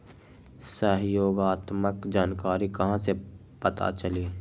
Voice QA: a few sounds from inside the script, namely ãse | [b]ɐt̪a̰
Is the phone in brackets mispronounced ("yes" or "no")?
yes